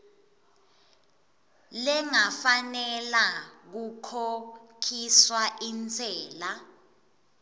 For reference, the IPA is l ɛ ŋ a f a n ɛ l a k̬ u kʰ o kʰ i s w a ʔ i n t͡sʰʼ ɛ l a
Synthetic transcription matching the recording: l ɛ ŋ a f a n ɛ l a k̬ u kʰ o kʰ i s w a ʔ i n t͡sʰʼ ɛː l a